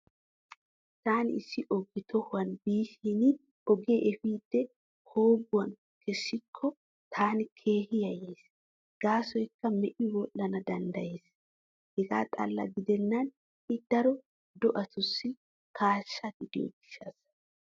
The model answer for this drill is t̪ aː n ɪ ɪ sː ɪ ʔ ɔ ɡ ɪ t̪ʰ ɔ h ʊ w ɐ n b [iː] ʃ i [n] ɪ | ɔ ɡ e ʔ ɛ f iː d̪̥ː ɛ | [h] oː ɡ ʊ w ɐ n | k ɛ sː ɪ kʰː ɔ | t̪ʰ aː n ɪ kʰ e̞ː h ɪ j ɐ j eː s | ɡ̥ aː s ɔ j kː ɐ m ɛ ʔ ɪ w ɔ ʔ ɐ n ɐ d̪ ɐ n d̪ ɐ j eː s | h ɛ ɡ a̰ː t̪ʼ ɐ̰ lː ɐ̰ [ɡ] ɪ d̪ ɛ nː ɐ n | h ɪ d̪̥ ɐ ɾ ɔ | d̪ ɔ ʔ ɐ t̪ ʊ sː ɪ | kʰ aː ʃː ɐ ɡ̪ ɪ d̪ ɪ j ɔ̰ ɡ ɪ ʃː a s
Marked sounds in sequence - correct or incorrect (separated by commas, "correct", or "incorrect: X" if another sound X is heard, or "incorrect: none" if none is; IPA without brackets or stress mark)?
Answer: correct, correct, correct, correct